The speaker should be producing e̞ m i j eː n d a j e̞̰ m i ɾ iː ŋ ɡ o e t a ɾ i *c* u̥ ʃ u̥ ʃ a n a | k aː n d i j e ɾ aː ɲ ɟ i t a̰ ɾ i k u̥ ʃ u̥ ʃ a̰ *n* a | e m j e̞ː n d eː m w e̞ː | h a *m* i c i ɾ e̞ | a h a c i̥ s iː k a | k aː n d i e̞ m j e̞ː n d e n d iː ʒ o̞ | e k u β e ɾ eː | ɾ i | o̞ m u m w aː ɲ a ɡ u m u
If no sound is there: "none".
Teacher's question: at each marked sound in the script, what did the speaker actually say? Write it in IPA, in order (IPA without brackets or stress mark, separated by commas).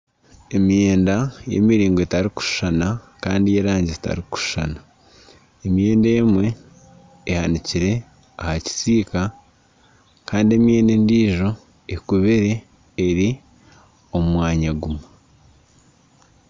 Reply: k, n, n